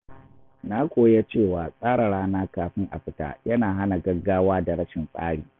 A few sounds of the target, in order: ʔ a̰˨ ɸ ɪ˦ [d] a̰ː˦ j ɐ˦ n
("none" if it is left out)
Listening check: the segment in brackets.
t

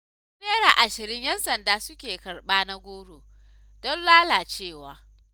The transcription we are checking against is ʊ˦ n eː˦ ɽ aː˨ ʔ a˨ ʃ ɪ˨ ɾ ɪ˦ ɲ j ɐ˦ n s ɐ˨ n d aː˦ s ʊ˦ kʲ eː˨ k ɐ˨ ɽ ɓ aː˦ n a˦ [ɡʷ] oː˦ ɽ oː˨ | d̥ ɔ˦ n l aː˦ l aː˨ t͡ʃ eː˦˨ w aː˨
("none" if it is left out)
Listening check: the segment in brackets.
ɡʷ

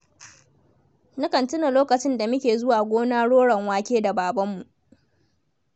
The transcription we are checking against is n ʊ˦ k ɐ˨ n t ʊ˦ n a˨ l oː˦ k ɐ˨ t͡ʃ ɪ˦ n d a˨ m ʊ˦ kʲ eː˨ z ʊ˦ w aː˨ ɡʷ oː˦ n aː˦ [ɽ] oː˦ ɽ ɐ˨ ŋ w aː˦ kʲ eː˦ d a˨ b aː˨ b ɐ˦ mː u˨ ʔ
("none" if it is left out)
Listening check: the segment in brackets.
ɽ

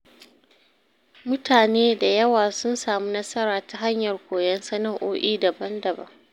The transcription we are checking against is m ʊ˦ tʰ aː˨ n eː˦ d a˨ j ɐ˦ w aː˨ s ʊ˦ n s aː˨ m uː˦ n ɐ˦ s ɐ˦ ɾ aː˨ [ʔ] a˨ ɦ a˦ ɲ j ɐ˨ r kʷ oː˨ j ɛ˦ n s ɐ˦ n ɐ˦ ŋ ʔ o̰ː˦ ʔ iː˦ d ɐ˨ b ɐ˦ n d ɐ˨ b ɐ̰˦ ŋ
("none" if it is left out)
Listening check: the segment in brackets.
t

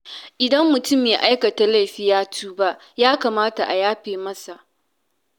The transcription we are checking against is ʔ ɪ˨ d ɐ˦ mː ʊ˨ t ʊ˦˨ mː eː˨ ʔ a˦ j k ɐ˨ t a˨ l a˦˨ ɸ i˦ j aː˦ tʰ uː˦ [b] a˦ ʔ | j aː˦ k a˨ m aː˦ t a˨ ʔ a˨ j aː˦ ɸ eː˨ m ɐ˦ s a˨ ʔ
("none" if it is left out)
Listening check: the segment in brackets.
b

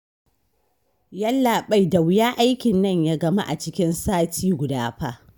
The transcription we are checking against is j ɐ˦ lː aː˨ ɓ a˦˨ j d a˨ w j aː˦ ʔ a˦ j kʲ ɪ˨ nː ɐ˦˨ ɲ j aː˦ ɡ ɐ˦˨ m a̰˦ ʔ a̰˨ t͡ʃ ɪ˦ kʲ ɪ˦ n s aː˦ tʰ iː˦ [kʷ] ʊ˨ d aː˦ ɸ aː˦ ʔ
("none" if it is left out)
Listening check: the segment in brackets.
ɡʷ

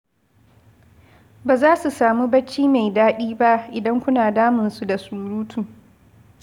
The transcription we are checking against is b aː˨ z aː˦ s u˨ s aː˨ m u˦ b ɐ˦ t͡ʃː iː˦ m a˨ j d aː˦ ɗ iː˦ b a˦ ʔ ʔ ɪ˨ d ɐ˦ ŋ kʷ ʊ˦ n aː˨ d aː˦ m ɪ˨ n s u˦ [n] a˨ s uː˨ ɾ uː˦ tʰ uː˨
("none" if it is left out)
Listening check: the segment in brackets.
d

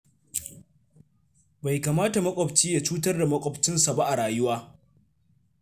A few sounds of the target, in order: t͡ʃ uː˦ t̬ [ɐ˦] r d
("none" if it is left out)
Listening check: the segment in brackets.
ɐ˦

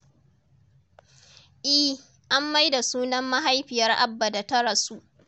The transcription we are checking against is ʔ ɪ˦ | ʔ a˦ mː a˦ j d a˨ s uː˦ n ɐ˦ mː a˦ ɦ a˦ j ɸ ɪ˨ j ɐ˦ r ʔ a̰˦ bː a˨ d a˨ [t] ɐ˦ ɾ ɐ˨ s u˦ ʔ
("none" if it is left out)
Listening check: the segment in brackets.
t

